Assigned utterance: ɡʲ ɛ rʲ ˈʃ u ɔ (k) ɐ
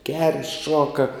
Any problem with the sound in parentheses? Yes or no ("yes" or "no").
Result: no